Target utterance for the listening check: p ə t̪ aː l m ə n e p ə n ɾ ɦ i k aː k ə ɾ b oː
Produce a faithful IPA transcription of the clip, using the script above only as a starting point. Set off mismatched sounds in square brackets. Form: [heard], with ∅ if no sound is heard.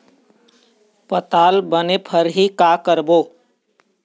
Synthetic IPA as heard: p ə t̪ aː l [b] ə n e [pʰ] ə [∅] ɾ ɦ i k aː k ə ɾ b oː